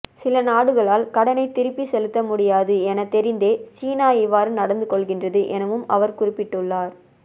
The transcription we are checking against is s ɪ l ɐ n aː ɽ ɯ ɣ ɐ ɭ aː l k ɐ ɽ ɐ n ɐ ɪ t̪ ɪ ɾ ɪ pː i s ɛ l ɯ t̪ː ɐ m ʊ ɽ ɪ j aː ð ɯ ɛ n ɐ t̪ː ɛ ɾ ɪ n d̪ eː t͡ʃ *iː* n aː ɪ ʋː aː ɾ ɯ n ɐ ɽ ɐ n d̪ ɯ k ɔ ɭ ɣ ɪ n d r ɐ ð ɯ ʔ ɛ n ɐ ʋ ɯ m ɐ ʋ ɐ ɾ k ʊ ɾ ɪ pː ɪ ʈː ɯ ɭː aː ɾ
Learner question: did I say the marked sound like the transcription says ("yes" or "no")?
yes